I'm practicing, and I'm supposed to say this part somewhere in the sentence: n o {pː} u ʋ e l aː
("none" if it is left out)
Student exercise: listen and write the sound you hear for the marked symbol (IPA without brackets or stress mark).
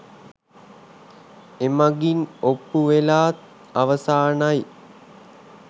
pː